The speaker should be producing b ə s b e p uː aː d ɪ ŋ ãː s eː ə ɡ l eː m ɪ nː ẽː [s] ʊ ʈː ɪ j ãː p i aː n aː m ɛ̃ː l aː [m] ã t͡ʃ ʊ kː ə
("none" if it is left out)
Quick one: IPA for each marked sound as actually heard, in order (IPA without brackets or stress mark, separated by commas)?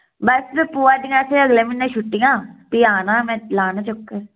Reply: ʃ, n